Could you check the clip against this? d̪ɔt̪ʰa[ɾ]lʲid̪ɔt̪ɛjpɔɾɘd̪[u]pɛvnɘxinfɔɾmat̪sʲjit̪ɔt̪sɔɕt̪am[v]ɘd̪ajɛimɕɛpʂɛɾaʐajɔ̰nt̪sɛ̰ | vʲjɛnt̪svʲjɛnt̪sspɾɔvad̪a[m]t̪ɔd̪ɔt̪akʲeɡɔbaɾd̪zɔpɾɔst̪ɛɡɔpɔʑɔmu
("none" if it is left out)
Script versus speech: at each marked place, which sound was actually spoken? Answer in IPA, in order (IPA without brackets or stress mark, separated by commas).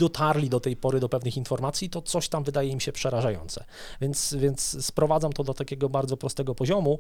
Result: ɾ, ɔ, v, m